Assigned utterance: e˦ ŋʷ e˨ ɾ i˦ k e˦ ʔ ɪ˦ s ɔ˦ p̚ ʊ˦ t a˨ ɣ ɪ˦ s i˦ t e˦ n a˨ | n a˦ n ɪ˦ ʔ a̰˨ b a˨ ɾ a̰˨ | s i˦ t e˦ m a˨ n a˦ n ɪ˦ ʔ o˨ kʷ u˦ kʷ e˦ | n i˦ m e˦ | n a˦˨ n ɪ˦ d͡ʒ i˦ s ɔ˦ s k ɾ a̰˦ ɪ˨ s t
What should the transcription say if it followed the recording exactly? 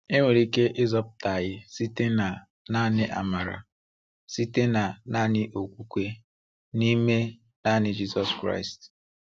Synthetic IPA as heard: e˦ ŋʷ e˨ ɾ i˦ k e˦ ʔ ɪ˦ z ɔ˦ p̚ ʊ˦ t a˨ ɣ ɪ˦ s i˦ t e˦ n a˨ | n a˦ n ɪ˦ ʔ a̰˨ m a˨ ɾ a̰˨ | s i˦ t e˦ n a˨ n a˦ n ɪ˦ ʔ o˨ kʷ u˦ kʷ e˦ | n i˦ m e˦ | n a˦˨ n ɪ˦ d͡ʒ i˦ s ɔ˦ s k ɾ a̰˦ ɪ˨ s t